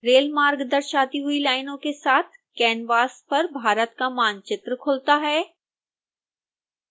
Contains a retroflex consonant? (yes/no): no